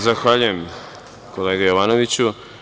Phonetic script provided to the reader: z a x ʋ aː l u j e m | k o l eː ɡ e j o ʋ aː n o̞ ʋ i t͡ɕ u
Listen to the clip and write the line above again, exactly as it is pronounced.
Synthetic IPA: z a x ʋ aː ʎ u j e m | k o l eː ɡ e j o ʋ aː n o̞ ʋ i t͡ɕ u